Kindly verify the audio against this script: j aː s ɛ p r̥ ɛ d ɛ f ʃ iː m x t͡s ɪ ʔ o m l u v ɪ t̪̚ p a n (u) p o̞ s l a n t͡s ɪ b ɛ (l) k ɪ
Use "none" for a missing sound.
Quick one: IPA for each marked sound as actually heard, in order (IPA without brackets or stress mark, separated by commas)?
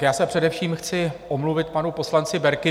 u, ɾ